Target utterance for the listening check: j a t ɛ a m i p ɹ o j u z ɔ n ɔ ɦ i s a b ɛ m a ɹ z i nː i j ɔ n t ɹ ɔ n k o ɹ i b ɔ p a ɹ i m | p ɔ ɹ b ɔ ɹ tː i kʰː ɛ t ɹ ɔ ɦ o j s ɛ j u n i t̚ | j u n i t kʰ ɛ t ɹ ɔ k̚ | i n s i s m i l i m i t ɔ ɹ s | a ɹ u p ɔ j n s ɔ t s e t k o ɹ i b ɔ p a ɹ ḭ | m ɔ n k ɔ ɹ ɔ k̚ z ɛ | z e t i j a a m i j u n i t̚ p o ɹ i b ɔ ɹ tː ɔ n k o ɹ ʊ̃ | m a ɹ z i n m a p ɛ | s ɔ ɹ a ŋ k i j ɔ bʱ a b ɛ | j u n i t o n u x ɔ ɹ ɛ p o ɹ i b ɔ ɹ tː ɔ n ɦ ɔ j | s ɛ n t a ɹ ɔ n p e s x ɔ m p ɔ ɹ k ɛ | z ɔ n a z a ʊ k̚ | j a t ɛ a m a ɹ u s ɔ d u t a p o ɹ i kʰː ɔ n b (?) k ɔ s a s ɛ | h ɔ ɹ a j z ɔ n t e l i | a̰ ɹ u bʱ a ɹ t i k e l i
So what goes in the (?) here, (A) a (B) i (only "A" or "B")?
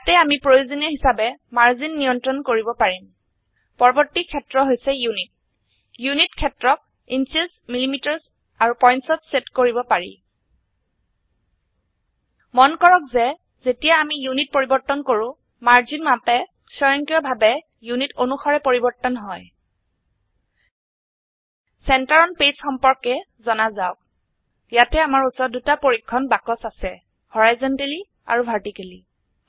A